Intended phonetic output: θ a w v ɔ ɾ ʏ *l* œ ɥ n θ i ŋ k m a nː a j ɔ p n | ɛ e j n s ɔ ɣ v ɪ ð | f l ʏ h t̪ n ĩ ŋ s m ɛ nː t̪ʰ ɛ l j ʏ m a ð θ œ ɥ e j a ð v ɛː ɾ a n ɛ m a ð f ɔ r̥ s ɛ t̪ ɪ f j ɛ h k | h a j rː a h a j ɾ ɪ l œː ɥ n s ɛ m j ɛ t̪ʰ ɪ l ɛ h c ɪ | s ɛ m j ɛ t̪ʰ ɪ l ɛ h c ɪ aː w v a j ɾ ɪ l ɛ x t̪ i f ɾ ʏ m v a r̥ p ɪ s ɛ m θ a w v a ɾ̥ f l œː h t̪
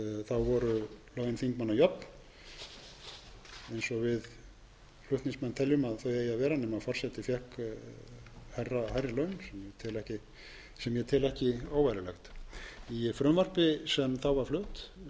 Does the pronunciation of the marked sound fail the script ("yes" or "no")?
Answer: no